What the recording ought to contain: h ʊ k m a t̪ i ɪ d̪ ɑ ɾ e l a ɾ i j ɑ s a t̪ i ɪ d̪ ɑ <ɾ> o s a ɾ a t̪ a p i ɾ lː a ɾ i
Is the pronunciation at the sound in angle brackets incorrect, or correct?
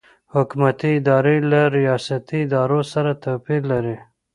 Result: correct